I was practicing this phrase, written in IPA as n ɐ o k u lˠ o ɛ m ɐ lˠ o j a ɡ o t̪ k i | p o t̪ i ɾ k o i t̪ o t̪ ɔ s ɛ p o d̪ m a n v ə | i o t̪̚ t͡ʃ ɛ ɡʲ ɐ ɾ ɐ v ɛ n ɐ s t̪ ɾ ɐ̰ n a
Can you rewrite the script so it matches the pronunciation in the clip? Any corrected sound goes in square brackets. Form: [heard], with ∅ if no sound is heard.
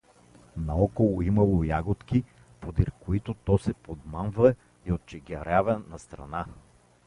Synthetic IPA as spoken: n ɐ [ɔ] k [o] lˠ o [i] m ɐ lˠ o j a ɡ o t̪ k i | p o [d̪] i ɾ k o i t̪ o t̪ ɔ s ɛ p o d̪ m a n v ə | i o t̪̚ t͡ʃ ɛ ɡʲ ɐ ɾ [a] v ɛ n ɐ s t̪ ɾ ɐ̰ n a